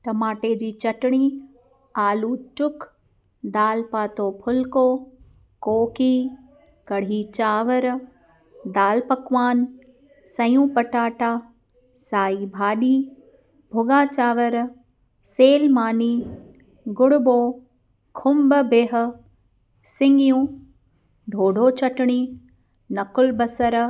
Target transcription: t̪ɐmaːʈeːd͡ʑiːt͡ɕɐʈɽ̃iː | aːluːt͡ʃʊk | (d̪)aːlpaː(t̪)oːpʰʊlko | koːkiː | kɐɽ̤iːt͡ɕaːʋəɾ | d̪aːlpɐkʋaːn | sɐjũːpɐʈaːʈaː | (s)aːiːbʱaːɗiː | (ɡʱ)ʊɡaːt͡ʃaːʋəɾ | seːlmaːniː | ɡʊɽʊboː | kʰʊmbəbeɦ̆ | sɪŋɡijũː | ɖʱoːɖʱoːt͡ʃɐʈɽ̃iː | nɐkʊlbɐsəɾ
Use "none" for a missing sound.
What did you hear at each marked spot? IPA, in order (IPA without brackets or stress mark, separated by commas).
d̪, t̪, s, bʱ